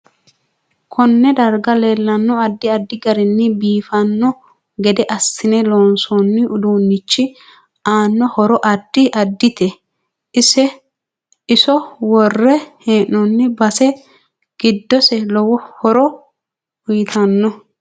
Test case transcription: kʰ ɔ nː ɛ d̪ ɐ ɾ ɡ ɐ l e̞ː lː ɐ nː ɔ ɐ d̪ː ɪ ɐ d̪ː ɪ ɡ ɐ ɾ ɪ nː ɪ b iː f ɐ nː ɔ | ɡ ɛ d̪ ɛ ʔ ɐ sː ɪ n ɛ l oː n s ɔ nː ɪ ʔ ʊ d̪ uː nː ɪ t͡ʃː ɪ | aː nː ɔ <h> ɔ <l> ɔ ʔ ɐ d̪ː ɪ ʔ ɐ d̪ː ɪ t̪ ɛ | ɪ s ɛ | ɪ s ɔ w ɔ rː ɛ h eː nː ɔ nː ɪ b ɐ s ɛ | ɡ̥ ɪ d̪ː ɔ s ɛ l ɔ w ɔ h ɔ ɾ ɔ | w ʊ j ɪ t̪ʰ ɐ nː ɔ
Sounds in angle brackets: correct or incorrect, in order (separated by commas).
correct, incorrect